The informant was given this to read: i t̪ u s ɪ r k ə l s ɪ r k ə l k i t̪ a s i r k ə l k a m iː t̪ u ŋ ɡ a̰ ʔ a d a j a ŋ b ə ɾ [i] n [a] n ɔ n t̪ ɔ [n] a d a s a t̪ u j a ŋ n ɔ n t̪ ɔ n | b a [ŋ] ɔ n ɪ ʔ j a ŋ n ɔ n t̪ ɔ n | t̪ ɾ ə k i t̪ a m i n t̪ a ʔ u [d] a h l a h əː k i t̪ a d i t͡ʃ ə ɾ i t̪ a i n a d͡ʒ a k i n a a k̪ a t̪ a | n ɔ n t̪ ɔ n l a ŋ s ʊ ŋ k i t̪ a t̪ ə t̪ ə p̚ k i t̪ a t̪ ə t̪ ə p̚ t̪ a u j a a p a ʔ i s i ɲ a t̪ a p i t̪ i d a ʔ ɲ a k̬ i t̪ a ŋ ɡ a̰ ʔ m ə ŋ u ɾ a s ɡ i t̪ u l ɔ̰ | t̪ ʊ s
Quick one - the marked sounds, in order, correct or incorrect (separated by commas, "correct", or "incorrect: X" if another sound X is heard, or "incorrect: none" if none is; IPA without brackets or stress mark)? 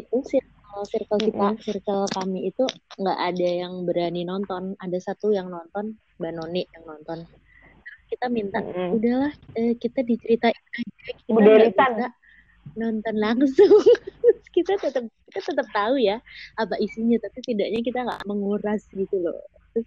incorrect: a, incorrect: i, correct, incorrect: n, correct